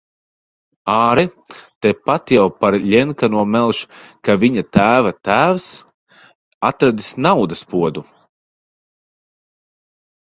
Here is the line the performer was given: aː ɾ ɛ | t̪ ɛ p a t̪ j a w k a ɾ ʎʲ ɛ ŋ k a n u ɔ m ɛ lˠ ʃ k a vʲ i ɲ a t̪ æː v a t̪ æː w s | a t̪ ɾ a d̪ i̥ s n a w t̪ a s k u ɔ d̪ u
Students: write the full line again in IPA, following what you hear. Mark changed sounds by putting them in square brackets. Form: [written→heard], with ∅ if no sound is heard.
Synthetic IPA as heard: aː ɾ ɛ | t̪ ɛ p a t̪ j a w [k→p] a ɾ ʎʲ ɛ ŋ k a n u ɔ m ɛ lˠ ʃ k a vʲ i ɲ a t̪ æː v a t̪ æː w s | a t̪ ɾ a d̪ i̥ s n a w [t̪→d̪] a s [k→p] u ɔ d̪ u